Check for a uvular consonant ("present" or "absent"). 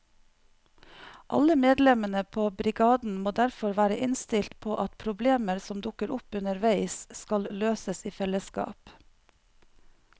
absent